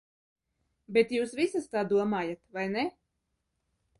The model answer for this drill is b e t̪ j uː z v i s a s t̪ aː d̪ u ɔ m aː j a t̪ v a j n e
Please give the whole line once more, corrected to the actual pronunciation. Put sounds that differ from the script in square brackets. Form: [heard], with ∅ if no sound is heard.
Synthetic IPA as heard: b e t̪ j uː [s] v i s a s t̪ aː d̪ u ɔ m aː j a t̪ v a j n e